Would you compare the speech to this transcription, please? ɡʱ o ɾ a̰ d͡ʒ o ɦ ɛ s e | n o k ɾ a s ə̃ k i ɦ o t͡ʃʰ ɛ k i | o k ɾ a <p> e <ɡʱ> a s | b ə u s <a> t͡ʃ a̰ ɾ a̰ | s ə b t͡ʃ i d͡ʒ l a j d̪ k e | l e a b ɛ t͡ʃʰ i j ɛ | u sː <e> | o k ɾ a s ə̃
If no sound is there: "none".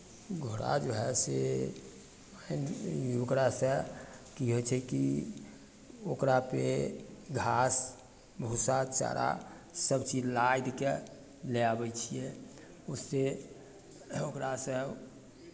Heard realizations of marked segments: p, ɡʱ, a, e

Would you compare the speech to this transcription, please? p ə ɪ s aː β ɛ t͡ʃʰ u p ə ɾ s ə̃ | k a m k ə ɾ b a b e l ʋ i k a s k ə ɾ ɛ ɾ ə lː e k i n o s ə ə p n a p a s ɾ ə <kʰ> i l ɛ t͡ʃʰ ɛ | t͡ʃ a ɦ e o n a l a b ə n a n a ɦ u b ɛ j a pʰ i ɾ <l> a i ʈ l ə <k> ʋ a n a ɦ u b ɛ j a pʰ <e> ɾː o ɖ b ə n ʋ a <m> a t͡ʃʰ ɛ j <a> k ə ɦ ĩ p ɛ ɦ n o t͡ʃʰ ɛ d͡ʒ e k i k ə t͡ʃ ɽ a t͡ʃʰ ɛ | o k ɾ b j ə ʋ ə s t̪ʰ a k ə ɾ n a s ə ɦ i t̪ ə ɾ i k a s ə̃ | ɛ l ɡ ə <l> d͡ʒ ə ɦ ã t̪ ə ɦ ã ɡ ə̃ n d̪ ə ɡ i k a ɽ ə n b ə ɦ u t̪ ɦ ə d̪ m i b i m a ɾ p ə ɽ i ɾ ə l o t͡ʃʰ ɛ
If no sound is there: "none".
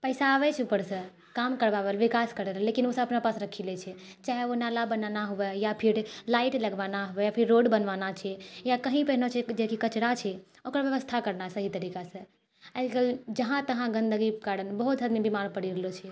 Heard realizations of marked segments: kʰ, l, ɡ, i, n, a, l

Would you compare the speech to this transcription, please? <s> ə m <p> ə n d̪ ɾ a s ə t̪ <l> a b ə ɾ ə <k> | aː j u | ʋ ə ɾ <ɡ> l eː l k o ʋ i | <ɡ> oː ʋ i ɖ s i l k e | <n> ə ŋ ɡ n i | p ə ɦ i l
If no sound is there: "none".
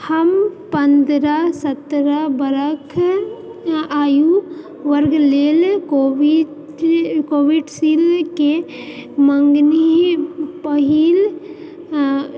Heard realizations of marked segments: h, p, ɾ, kʰ, ɡ, k, m

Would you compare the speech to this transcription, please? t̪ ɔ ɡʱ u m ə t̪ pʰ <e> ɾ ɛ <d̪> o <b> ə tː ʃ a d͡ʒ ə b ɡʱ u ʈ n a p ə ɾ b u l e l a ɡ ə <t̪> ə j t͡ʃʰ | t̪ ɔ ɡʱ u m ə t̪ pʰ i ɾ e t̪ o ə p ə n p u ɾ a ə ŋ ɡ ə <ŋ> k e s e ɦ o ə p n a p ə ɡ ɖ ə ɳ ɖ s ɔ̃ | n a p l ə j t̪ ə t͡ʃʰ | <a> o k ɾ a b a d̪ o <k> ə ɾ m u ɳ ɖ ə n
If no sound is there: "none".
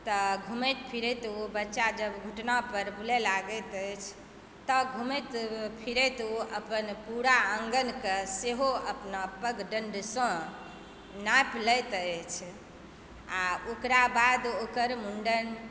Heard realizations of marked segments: i, t̪, b, t̪, n, a, k

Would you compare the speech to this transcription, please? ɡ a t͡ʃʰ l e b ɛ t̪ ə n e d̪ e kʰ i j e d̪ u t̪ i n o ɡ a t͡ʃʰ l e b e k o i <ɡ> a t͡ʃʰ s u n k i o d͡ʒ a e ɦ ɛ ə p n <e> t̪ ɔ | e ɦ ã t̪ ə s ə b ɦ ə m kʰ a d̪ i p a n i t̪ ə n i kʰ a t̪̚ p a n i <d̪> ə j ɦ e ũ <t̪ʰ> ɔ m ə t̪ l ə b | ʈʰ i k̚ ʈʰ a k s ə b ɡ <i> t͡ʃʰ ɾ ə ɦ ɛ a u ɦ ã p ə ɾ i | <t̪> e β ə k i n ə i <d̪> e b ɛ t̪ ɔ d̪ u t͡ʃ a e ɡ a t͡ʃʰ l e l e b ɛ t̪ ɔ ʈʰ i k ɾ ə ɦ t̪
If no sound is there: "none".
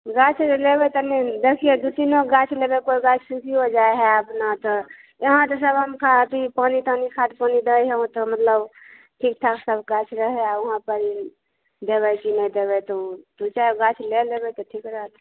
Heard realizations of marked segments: ɡ, a, d̪, t̪, a, d̪, d̪

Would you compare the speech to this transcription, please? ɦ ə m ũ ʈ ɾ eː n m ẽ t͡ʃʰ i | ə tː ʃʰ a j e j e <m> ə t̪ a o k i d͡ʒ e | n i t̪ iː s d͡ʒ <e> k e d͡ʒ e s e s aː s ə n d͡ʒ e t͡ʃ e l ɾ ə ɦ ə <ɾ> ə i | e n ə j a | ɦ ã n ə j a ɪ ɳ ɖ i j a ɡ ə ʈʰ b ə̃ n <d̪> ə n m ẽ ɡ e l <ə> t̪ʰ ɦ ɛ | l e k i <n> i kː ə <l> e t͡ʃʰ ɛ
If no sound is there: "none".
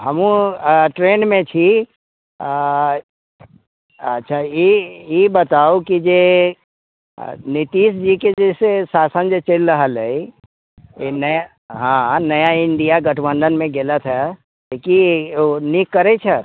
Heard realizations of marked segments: b, i, l, d̪, ə, n, ɾ

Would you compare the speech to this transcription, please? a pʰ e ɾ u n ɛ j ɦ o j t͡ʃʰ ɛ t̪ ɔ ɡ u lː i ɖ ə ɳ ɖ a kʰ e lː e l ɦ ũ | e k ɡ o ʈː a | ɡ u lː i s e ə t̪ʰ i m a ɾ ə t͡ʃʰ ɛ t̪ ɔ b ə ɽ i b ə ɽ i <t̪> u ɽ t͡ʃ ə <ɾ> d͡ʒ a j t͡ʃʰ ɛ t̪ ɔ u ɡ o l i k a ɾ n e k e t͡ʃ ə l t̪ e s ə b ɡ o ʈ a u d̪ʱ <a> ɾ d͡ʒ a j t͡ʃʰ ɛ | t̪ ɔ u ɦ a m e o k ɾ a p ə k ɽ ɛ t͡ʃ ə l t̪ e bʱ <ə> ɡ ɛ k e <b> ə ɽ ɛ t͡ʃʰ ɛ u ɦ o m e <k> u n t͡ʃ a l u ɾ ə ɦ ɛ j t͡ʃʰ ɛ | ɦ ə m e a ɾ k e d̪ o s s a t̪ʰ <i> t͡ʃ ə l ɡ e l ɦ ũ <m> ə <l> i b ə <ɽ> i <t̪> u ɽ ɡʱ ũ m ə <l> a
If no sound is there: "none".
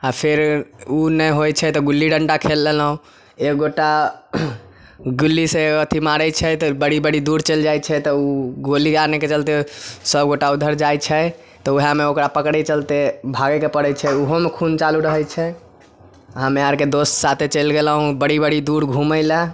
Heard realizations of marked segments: d̪, l, ə, a, p, kʰ, e, b, ɽ, ɽ, d̪, l

